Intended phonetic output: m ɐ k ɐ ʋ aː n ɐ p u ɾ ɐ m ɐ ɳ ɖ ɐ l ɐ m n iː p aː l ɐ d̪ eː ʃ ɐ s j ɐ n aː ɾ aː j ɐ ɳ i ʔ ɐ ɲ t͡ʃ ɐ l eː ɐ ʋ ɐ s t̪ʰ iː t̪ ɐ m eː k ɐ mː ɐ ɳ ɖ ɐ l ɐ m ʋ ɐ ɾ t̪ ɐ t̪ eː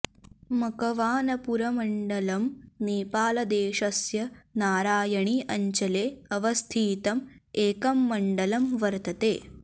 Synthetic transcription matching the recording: m ɐ k ɐ ʋ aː n ɐ p u ɾ ɐ m ɐ ɳ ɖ ɐ l ɐ m n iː p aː l ɐ d̪ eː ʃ ɐ s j ɐ n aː ɾ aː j ɐ ɳ i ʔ ɐ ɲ t͡ʃ ɐ l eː ɐ ʋ ɐ s t̪ʰ iː t̪ ɐ m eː k ɐ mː ɐ ɳ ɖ ɐ l ɐ m ʋ ɐ ɾ t̪ ɐ t̪ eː

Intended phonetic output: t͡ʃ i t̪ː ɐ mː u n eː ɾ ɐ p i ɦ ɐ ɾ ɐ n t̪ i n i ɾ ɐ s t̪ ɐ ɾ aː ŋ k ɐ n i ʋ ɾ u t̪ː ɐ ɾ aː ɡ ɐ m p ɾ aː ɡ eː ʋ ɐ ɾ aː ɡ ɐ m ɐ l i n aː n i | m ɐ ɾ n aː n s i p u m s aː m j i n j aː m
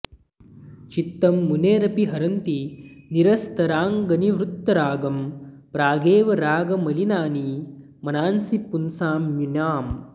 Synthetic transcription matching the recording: t͡ʃ i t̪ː ɐ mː u n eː ɾ ɐ p i ɦ ɐ ɾ ɐ n t̪ i n i ɾ ɐ s t̪ ɐ ɾ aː ŋ ɡ ɐ n i ʋ ɾ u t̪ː ɐ ɾ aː ɡ ɐ m p ɾ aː ɡ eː ʋ ɐ ɾ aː ɡ ɐ m ɐ l i n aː n i | m ɐ n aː n s i p u n s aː m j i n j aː m

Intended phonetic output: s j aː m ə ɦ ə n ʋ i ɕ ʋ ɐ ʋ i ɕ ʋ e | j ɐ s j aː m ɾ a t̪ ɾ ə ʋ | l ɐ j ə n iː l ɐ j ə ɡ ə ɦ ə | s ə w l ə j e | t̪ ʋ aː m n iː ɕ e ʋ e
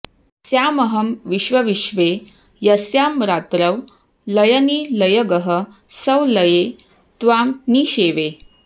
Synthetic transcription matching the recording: s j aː m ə ɦ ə m ʋ i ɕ ʋ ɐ ʋ i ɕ ʋ e | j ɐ s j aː m ɾ a t̪ ɾ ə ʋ | l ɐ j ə n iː l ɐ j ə ɡ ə ɦ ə | s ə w l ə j e | t̪ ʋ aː m n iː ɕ e ʋ e

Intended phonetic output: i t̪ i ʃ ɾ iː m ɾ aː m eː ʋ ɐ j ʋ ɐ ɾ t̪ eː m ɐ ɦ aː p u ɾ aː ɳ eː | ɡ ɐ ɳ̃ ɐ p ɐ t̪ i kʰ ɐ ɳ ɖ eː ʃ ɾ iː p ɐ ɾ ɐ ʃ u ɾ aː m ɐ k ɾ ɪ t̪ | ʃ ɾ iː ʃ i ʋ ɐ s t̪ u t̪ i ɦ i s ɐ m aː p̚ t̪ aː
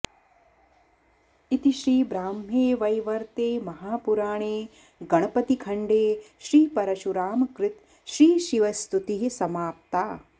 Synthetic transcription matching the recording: i t̪ i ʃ ɾ iː b ɾ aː m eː ʋ ɐ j ʋ ɐ ɾ t̪ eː m ɐ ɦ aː p u ɾ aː ɳ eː | ɡ ɐ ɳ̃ ɐ p ɐ t̪ i kʰ ɐ ɳ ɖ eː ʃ ɾ iː p ɐ ɾ ɐ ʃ u ɾ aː m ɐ k ɾ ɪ t̪ | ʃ ɾ iː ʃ i ʋ ɐ s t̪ u t̪ i ɦ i s ɐ m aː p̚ t̪ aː

